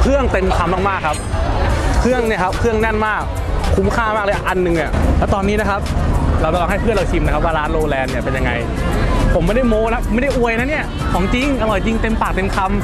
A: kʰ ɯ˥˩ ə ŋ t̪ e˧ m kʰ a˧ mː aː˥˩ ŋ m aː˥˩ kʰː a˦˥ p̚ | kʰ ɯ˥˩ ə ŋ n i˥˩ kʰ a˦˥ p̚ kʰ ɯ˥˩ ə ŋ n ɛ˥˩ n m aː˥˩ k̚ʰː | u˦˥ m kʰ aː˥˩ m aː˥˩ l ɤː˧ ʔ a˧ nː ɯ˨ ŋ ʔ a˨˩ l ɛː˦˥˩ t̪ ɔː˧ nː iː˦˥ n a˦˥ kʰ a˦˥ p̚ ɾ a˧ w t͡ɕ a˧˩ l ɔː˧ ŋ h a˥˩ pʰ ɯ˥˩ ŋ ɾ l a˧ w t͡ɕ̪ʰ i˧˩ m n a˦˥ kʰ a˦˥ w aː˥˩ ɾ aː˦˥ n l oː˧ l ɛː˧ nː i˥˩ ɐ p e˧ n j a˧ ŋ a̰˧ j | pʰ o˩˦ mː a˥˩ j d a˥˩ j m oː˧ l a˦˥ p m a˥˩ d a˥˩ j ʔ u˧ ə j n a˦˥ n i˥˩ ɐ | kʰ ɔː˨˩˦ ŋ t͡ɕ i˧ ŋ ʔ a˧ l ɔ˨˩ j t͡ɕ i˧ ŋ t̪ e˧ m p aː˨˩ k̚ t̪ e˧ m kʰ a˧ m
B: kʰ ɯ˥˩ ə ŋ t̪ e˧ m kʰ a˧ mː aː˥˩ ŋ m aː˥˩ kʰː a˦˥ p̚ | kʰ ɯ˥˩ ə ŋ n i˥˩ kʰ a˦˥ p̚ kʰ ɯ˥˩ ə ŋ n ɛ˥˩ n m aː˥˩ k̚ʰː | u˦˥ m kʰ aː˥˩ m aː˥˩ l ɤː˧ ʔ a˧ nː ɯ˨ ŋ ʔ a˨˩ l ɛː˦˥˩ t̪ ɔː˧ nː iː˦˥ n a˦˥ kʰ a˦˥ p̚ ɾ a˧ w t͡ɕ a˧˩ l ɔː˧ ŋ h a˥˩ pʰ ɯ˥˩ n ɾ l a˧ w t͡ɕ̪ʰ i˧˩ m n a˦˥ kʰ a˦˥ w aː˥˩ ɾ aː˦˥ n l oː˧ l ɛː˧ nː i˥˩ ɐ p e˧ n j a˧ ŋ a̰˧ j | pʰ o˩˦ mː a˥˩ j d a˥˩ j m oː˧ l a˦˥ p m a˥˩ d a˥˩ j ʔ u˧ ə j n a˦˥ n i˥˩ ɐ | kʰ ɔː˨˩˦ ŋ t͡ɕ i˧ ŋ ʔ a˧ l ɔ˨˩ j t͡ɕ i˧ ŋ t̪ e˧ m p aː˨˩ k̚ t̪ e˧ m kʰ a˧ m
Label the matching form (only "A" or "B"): B